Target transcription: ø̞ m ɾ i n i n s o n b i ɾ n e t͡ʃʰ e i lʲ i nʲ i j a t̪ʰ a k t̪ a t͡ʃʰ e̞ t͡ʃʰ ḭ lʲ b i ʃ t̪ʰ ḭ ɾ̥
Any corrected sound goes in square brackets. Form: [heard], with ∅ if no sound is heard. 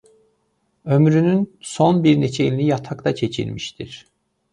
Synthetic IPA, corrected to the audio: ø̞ m ɾ [y] n [y] n s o n b i ɾ n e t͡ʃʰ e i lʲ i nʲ i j a t̪ʰ a k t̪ a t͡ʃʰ e̞ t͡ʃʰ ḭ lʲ [m] i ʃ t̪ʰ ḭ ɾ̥